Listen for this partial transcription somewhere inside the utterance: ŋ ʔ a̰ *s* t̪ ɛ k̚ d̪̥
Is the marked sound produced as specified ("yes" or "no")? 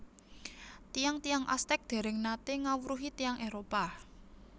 yes